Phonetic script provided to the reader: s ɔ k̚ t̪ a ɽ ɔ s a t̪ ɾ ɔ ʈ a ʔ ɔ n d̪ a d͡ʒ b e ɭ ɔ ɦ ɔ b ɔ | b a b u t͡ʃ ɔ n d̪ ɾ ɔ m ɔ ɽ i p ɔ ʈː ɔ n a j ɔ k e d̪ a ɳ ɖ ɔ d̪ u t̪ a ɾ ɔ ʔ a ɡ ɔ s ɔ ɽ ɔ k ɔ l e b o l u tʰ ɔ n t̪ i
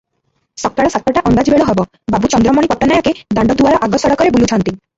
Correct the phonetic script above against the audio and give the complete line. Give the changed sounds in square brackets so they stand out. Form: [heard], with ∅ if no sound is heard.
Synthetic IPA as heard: s ɔ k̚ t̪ a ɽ ɔ s a t̪ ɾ ɔ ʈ a ʔ ɔ n d̪ a d͡ʒ b e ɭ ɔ ɦ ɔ b ɔ | b a b u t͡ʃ ɔ n d̪ ɾ ɔ m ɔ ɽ i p ɔ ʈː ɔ n a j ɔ k e d̪ a ɳ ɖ ɔ d̪ u [∅] a ɾ ɔ ʔ a ɡ ɔ s ɔ ɽ ɔ k ɔ [ɾ] e b [u] l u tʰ ɔ n t̪ i